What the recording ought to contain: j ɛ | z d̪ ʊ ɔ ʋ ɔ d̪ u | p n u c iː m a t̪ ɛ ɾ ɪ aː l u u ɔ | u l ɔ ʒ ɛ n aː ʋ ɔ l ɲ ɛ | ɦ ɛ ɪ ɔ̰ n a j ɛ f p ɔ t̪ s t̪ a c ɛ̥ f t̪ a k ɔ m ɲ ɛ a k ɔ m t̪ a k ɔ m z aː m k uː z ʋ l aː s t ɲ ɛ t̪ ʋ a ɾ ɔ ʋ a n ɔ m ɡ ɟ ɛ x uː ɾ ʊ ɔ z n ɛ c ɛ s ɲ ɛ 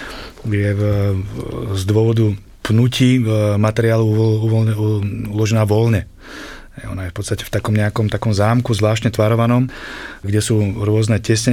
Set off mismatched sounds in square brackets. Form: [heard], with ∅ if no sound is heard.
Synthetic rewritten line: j ɛ | z d̪ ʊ ɔ ʋ ɔ d̪ u | p n u c iː m a t̪ ɛ ɾ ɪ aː l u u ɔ | u l ɔ ʒ ɛ n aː ʋ ɔ l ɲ ɛ | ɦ ɛ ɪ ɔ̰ n a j ɛ f p ɔ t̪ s t̪ a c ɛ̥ f t̪ a k ɔ m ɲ ɛ a k ɔ m t̪ a k ɔ m z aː m k [u] z ʋ l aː [ʃ] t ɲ ɛ t̪ ʋ a ɾ ɔ ʋ a n ɔ m ɡ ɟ ɛ [s] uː ɾ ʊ ɔ z n ɛ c ɛ s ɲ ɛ